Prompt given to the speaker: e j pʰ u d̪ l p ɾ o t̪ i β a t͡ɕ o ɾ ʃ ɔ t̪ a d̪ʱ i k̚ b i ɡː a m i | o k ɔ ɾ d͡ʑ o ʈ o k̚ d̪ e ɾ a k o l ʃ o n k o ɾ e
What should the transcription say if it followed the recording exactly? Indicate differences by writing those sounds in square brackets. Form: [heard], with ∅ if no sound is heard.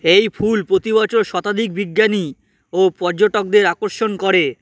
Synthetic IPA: e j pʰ u [∅] l p ɾ o t̪ i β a t͡ɕ o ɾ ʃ ɔ t̪ a d̪ʱ i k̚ b i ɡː a [n] i | o [p] ɔ ɾ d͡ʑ o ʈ o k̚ d̪ e ɾ a k o [ɾ] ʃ o n k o ɾ e

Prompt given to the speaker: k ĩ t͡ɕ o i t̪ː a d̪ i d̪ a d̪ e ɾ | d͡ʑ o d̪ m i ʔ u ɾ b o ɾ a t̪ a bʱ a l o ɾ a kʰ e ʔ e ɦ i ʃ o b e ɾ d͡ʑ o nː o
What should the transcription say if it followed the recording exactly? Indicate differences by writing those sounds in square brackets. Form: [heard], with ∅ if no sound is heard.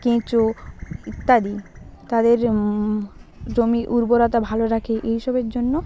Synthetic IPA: k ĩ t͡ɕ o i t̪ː a d̪ i [t̪] a d̪ e ɾ | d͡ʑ o [∅] m i ʔ u ɾ b o ɾ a t̪ a bʱ a l o ɾ a kʰ e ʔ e ɦ i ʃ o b e ɾ d͡ʑ o nː o

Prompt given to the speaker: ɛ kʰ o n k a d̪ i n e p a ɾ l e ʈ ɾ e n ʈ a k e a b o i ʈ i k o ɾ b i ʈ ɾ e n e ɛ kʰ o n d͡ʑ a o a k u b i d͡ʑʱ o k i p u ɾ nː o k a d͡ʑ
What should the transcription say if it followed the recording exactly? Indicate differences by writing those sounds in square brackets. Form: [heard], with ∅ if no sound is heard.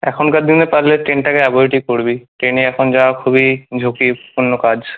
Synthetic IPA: ɛ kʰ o n k a d̪ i n e p a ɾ l e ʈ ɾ e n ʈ a k e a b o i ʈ i k o ɾ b i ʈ ɾ e n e ɛ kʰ o n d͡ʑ a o a [kʰ] u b i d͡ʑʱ o k i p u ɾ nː o k a d͡ʑ

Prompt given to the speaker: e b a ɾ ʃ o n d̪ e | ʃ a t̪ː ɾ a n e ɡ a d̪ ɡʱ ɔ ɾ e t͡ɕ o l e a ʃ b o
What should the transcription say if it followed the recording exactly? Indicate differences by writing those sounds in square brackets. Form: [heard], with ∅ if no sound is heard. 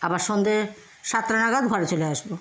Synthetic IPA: [a] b a ɾ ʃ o n d̪ e | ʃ a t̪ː ɾ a n [a] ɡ a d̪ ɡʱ ɔ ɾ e t͡ɕ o l e a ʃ b o

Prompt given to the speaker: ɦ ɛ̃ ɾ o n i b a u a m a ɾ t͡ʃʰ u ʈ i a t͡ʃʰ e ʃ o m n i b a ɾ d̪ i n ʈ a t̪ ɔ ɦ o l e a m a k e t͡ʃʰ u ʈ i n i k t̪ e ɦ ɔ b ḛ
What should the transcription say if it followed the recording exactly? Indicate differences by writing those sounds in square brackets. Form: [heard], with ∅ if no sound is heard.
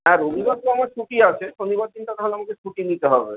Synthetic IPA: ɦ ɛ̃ ɾ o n i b a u a m a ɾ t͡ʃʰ u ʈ i a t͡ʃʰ e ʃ o [∅] n i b a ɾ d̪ i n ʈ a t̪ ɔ ɦ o l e a m a k e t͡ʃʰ u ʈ i n i [∅] t̪ e ɦ ɔ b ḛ

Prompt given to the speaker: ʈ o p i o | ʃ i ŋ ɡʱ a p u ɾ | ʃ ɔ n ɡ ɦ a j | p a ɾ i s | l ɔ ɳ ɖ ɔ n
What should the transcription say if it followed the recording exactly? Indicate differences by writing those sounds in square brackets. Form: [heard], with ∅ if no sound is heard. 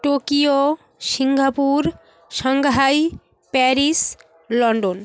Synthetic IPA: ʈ o [k] i o | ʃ i ŋ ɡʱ a p u ɾ | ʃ ɔ [ŋ] ɡ ɦ a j | p [ɛ] ɾ i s | l ɔ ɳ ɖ [o] n

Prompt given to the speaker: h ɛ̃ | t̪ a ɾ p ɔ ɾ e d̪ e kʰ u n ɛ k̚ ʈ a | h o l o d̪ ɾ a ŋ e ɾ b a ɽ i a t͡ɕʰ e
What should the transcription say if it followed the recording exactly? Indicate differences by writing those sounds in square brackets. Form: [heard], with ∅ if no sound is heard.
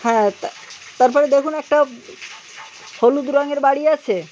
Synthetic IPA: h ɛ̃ | t̪ a ɾ p ɔ ɾ e d̪ e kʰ u n ɛ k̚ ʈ a | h o l [u] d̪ ɾ a ŋ e ɾ b a ɽ i a t͡ɕʰ e

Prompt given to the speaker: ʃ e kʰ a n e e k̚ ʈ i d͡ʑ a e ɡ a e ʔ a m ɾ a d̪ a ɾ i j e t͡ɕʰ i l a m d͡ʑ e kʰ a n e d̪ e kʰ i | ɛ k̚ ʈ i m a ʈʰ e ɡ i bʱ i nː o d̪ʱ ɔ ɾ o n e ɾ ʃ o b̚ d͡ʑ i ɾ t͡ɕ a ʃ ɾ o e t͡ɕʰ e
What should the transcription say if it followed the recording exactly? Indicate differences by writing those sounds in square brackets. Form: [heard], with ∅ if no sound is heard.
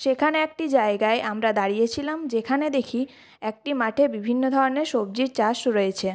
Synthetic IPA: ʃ e kʰ a n e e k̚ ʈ i d͡ʑ a e ɡ a e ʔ a m ɾ a d̪ a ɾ i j e t͡ɕʰ i l a m d͡ʑ e kʰ a n e d̪ e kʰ i | ɛ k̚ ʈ i m a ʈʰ e [b] i bʱ i nː o d̪ʱ ɔ ɾ o n e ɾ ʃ o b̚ d͡ʑ i ɾ t͡ɕ a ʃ ɾ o e t͡ɕʰ e

